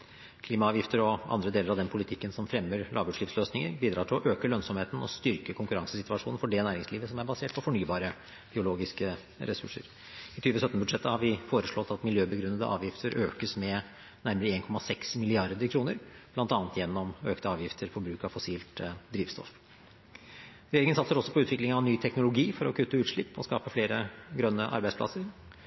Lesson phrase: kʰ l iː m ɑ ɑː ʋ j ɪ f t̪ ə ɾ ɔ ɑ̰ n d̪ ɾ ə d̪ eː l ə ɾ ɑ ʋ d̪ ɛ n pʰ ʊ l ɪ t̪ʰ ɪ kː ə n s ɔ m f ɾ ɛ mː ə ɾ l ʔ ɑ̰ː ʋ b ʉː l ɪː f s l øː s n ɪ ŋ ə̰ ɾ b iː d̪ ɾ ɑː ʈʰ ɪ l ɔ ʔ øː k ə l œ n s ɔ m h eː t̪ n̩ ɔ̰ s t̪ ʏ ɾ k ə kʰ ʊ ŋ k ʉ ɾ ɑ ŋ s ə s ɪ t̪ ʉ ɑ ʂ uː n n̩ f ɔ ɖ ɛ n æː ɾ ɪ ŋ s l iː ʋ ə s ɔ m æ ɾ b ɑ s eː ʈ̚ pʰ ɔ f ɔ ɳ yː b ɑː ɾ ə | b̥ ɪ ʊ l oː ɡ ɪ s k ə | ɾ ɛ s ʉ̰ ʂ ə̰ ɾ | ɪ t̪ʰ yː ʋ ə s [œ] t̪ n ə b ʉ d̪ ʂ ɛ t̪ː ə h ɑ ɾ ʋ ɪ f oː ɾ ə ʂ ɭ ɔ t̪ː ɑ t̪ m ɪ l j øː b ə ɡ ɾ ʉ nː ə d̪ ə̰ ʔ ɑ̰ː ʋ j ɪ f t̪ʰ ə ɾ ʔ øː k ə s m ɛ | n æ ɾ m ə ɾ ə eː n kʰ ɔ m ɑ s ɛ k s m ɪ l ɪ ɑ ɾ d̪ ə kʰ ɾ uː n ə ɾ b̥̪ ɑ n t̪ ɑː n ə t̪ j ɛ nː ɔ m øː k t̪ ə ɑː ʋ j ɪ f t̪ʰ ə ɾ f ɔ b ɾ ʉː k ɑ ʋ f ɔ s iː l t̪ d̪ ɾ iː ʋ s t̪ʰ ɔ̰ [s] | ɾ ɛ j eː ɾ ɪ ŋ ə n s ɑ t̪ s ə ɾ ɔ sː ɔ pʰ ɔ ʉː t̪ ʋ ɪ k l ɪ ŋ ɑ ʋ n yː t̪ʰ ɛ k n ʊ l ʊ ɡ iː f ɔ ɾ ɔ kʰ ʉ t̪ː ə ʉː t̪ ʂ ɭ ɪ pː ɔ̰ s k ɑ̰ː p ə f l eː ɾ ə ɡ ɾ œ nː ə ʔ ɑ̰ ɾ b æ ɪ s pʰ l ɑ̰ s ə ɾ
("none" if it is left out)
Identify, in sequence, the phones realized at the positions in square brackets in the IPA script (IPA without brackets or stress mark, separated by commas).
œ, f